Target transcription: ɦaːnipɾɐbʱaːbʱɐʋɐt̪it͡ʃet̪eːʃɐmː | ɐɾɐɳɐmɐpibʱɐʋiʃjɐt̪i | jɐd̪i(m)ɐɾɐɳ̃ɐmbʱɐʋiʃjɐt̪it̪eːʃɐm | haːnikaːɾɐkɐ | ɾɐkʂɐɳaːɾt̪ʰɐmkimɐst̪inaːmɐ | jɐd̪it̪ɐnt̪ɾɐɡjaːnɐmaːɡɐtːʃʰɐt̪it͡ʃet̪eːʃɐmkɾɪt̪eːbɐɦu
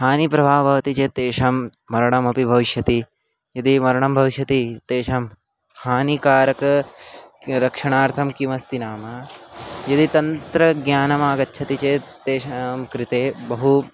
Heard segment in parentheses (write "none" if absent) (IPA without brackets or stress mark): m